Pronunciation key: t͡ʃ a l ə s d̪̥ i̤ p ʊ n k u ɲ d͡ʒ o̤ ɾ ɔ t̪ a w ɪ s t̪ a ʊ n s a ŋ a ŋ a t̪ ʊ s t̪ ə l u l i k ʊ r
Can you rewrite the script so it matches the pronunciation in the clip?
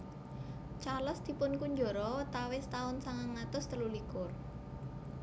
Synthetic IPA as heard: t͡ʃ a l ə s d̪̥ i̤ p ʊ n k u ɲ d͡ʒ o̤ ɾ ɔ t̪ a w ɪ s t̪ a ʊ n s a ŋ a ŋ a t̪ ʊ s t̪ ə l u l i k ʊ r

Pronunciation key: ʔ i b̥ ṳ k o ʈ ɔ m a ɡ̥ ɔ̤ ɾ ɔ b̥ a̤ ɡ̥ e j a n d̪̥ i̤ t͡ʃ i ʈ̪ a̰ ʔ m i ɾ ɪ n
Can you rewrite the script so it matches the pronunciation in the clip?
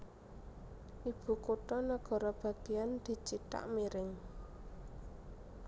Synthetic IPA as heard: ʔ i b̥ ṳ k o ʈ ɔ n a ɡ̥ ɔ̤ ɾ ɔ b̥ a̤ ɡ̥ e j a n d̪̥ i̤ t͡ʃ i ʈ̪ a̰ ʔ m i ɾ ɪ ŋ

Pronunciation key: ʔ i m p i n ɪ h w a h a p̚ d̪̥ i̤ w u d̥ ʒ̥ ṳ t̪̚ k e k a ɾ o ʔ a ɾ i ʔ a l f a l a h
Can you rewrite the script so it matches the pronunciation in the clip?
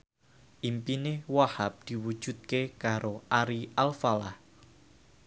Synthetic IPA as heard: ʔ i m p i n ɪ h w a h a p̚ d̪̥ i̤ w u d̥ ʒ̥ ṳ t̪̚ k e k a ɾ o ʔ a ɾ i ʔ a l f a l a h

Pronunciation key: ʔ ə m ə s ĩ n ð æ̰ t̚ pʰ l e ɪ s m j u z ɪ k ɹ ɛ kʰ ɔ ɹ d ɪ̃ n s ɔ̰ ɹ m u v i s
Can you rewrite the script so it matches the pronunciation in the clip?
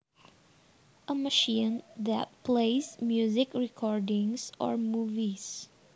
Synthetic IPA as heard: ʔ ə m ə ʃ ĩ n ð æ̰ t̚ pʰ l e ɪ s m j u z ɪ k ɹ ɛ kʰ ɔ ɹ d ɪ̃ ŋ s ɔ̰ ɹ m u v i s

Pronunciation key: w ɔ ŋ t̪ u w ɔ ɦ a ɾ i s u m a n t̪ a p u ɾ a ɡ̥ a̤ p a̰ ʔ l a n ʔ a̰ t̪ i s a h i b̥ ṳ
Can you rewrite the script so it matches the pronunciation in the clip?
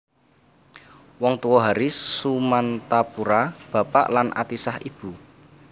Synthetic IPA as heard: w ɔ ŋ t̪ u w ɔ ɦ a ɾ i s u m a n t̪ a p u ɾ a b̥ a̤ p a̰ ʔ l a n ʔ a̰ t̪ i s a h i b̥ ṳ

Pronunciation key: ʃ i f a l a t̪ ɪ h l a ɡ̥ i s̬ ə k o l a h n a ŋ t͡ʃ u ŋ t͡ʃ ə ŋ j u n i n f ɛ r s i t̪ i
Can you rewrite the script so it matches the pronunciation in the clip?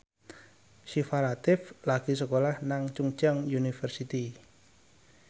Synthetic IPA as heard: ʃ i f a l a t̪ ɪ f l a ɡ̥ i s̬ ə k o l a h n a ŋ t͡ʃ u ŋ t͡ʃ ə ŋ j u n i f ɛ r s i t̪ i

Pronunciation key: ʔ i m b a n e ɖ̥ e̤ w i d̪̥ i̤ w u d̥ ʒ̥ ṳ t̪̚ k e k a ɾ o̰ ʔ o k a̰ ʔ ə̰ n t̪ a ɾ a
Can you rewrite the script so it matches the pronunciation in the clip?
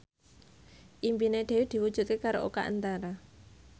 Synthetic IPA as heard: ʔ i m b i n e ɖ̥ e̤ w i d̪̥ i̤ w u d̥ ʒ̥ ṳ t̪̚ k e k a ɾ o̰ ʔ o k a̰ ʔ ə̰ n t̪ a ɾ a

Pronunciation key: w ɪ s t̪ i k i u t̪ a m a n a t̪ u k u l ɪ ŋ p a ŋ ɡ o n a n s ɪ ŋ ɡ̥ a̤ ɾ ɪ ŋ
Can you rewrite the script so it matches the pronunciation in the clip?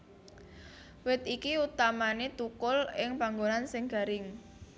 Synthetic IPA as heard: w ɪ t̪ i k i u t̪ a m a n e t̪ u k ʊ l ɪ ŋ p a ŋ ɡ o n a n s ɪ ŋ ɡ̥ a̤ ɾ ɪ ŋ

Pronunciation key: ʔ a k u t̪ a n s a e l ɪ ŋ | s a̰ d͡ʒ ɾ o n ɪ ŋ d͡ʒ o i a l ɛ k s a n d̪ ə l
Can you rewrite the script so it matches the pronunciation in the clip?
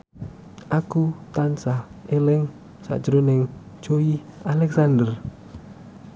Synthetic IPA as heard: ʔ a k u t̪ a n s a e l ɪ ŋ | s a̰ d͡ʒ ɾ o n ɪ ŋ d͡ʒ o i a l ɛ k s a n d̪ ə r

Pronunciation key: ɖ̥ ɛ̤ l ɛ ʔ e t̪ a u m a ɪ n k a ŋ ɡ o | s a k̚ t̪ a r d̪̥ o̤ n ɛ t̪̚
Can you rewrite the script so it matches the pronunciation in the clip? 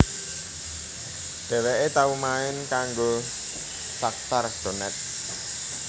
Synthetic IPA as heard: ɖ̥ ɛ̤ l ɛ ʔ e t̪ a u m a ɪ n k a ŋ ɡ o | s a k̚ t̪ a r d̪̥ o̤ n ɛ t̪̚

